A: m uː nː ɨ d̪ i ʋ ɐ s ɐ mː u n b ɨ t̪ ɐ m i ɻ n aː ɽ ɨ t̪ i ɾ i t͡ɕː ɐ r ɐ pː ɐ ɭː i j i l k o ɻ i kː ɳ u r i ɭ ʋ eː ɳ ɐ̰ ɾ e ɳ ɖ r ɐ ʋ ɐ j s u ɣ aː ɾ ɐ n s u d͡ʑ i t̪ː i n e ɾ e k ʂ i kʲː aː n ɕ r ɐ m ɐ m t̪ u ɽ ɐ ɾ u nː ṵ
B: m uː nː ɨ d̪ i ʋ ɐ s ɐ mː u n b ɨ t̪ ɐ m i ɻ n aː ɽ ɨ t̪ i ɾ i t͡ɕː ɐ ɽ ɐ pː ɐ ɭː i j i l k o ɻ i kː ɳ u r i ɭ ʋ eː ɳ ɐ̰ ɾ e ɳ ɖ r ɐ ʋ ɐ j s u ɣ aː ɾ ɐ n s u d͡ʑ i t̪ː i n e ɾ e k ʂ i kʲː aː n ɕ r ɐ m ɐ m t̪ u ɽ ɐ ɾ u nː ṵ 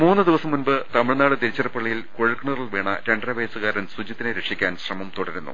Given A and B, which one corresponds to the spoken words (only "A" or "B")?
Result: A